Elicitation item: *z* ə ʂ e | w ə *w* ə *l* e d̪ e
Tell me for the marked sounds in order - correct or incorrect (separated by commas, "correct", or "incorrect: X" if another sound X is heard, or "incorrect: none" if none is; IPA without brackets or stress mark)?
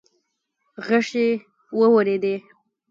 incorrect: ɣ, correct, incorrect: ɾ